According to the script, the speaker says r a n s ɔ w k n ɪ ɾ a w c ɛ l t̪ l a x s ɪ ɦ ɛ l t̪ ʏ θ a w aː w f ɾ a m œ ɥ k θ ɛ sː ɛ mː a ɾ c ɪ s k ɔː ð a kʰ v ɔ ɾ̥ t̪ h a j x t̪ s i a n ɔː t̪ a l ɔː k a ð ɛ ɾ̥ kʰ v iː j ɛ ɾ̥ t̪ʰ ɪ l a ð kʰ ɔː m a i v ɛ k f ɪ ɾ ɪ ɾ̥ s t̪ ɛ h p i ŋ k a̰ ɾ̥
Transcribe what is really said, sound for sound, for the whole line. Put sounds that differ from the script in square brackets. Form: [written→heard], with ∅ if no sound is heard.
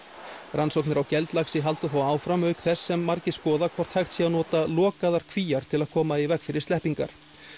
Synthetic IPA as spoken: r a n s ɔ w k n ɪ ɾ a w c ɛ l t̪ l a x s ɪ ɦ [ɛ→a] l t̪ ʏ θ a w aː w f ɾ a m œ ɥ k θ ɛ sː ɛ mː a ɾ c ɪ s k ɔː ð a kʰ v ɔ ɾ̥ t̪ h a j x t̪ s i a n ɔː t̪ a l ɔː k a ð [ɛ→a] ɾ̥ kʰ v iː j [ɛ→a] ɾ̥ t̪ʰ ɪ l a ð kʰ ɔː m a i v ɛ k f ɪ ɾ ɪ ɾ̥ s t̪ ɛ h p i ŋ k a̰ ɾ̥